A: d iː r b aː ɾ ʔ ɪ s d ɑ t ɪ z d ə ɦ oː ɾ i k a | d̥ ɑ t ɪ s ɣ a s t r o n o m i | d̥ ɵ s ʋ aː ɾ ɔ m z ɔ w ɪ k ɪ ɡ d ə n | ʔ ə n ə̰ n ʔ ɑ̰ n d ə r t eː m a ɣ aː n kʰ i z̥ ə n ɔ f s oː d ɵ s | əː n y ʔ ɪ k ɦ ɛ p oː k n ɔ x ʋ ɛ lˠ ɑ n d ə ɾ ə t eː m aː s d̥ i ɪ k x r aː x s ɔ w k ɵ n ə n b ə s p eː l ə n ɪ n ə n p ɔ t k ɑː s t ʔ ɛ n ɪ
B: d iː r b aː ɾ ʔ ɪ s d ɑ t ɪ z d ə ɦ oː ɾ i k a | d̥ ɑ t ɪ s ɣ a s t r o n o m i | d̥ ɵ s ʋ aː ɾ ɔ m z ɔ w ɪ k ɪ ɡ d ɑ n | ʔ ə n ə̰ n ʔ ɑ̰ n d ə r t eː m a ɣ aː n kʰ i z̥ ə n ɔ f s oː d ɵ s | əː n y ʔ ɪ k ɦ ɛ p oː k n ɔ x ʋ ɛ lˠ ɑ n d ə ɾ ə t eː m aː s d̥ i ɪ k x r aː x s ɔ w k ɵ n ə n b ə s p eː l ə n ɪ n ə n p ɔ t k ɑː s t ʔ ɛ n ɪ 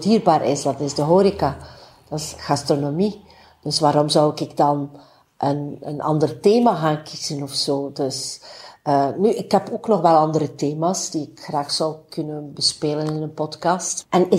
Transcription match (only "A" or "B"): B